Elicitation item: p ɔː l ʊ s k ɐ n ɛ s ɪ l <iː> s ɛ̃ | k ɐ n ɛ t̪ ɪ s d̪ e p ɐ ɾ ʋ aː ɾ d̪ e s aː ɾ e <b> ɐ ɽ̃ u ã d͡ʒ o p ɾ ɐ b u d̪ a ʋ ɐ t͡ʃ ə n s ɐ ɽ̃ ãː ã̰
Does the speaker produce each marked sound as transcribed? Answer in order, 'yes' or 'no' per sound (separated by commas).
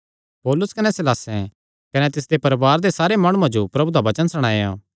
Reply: no, no